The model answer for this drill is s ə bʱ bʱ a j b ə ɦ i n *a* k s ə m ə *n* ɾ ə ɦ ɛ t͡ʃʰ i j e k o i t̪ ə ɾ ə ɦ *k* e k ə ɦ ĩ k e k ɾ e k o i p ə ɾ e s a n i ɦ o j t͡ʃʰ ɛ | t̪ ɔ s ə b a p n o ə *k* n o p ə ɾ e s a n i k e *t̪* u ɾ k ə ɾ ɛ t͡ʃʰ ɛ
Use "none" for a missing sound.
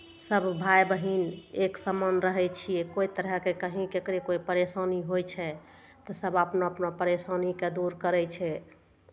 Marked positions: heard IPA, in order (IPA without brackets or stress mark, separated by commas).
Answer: e, n, k, p, d̪